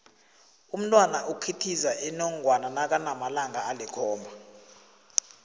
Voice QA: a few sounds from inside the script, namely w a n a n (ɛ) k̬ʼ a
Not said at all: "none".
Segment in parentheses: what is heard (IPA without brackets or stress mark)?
a